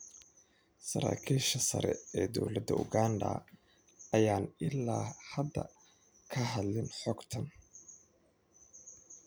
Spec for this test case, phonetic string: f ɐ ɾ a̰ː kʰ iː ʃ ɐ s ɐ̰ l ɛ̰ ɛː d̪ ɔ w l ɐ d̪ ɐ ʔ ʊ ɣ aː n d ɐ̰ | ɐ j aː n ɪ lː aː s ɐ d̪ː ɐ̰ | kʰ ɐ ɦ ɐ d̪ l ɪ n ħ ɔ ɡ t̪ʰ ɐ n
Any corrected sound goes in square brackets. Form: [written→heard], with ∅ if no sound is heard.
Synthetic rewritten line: [f→s] ɐ ɾ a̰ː kʰ iː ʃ ɐ s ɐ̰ [l→ɾ] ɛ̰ ɛː d̪ ɔ w l ɐ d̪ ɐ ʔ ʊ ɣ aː n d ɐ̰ | ɐ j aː n ɪ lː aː [s→h] ɐ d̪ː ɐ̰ | kʰ ɐ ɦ ɐ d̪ l ɪ n ħ ɔ ɡ t̪ʰ ɐ n